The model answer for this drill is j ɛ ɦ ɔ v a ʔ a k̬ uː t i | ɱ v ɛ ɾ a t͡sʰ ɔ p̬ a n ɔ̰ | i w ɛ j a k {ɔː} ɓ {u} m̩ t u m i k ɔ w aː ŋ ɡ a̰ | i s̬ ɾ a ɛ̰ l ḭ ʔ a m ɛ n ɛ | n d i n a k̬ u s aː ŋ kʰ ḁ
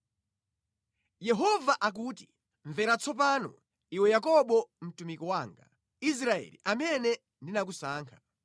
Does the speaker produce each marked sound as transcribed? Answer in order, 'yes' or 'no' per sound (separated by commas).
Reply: no, no